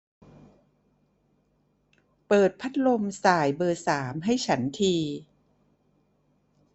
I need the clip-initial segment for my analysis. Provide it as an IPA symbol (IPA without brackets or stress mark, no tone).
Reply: p